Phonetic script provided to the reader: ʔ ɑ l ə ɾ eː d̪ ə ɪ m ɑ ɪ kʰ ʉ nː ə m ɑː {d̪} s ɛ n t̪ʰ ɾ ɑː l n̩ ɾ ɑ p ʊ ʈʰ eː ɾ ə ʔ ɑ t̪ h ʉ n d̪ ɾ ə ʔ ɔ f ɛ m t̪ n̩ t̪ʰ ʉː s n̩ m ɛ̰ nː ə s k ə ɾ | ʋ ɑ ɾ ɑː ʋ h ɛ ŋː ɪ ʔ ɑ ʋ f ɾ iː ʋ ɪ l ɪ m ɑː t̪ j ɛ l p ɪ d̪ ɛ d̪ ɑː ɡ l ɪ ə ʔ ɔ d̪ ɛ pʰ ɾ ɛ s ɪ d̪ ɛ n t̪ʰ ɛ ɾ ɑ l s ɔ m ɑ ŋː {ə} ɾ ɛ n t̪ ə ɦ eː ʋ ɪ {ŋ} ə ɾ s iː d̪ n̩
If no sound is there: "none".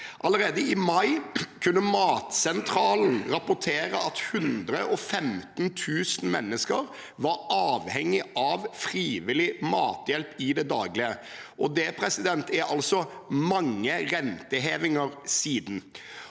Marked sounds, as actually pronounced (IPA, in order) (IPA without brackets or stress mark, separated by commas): t̪, ə, ŋ